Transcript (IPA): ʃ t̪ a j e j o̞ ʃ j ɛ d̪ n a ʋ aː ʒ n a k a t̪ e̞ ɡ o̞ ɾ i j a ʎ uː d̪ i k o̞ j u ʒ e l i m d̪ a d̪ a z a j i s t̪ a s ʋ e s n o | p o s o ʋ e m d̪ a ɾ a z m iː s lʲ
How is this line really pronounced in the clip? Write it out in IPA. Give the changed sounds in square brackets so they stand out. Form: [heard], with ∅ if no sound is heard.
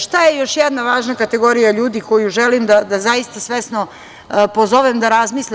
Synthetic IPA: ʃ t̪ a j e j o̞ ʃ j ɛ d̪ n a ʋ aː ʒ n a k a t̪ e̞ ɡ o̞ ɾ i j a ʎ uː d̪ i k o̞ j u ʒ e l i m d̪ a d̪ a z a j i s t̪ a s ʋ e s n o | p o [z] o ʋ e m d̪ a ɾ a z m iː s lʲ